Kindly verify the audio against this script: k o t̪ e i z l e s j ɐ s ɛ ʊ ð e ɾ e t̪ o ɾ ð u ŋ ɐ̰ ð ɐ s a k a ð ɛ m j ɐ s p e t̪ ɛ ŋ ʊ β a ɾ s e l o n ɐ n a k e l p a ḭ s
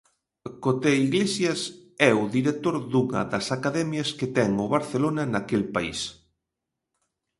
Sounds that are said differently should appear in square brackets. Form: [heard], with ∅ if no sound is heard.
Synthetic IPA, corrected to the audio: k o t̪ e i [ɣ] l e s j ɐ s ɛ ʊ ð [i] ɾ e t̪ o ɾ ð u ŋ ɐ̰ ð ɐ s a k a ð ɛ m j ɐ s [k] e t̪ ɛ ŋ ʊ β a ɾ [θ] e l o n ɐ n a k e l p a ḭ s